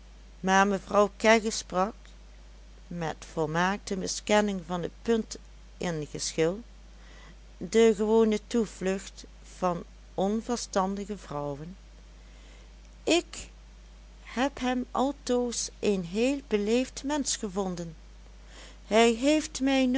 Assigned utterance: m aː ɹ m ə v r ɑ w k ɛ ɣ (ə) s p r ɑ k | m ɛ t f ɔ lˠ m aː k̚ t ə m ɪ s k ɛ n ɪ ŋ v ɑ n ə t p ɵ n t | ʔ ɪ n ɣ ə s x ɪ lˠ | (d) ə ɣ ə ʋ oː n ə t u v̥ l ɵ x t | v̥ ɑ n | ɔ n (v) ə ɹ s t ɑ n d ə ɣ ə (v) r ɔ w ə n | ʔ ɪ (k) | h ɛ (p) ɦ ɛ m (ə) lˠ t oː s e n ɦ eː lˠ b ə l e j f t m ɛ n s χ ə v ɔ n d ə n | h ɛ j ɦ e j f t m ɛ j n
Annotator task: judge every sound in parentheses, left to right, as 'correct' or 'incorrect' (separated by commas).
correct, correct, correct, correct, correct, correct, incorrect